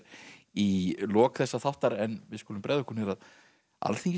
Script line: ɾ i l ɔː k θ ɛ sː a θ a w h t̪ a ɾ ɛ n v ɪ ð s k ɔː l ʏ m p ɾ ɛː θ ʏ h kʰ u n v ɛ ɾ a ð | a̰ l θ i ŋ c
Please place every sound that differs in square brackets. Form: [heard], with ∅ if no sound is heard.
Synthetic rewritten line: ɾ i l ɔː k θ ɛ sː a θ a w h t̪ a ɾ ɛ n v ɪ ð s k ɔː l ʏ m p ɾ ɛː [ð] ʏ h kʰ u n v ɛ ɾ a ð | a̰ l θ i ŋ c